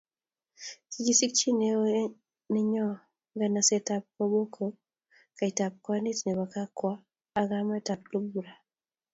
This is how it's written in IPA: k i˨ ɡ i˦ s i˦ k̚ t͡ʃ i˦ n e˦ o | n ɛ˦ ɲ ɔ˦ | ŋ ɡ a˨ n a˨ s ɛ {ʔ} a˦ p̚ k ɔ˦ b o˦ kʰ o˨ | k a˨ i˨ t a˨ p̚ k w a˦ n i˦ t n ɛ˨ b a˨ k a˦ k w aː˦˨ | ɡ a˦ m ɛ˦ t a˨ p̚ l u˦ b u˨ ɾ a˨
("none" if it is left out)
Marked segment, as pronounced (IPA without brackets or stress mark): t